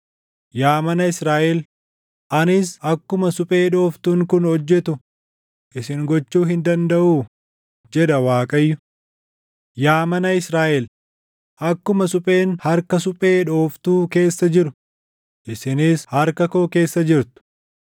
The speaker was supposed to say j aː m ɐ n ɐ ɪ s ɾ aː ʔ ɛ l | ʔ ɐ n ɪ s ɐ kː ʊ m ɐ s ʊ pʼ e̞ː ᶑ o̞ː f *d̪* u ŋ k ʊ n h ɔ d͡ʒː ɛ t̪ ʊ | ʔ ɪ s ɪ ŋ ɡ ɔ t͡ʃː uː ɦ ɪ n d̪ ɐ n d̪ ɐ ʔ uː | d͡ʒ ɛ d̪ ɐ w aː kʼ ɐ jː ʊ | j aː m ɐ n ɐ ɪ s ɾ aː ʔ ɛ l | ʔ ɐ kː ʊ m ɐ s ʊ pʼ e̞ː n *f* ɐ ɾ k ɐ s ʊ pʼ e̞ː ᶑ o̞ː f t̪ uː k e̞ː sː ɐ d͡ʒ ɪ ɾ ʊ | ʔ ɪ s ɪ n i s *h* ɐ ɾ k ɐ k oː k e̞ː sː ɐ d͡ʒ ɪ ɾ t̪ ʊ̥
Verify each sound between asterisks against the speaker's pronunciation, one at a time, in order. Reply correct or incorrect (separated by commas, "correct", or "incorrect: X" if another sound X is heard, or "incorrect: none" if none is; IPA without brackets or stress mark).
incorrect: t̪, incorrect: h, correct